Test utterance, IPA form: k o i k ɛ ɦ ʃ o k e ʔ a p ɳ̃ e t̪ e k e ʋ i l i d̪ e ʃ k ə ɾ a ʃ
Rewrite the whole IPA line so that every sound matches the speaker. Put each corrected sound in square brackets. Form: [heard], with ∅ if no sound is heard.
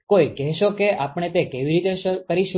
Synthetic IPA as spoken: k o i k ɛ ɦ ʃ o k e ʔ a p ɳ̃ e t̪ e k e ʋ i [ɾ] i [t̪] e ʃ k ə ɾ [i] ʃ